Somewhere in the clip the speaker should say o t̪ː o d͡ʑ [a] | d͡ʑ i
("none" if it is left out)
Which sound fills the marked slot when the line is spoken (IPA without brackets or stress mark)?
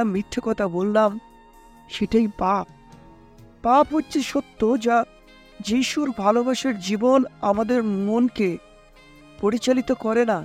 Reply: a